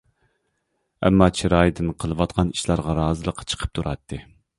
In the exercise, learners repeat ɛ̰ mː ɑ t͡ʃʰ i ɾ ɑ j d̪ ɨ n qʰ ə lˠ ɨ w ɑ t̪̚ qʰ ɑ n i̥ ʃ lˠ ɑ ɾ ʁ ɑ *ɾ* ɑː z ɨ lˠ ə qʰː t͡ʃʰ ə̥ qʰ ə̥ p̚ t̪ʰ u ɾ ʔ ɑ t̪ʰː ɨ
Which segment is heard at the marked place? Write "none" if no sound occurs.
ɾ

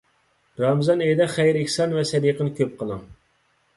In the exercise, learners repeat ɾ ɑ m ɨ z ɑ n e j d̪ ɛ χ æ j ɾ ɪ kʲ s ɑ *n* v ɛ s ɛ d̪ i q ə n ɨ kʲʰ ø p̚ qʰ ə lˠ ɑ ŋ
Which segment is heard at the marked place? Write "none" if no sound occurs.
n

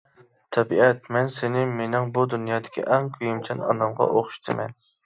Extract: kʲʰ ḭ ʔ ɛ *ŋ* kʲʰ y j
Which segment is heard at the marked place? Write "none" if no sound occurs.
ŋ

